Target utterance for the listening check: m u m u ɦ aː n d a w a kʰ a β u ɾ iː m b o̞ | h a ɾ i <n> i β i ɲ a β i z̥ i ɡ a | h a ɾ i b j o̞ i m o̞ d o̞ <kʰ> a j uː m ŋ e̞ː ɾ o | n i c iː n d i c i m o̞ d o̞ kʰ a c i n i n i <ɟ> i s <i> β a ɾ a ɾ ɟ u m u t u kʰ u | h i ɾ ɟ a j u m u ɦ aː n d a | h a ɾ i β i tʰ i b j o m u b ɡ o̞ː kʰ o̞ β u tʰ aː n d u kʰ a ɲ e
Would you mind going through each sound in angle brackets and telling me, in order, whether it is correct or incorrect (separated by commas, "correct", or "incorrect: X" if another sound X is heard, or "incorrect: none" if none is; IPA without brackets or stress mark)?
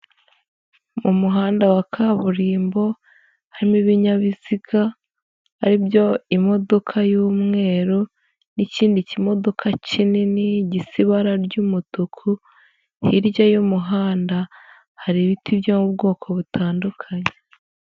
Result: incorrect: m, correct, correct, correct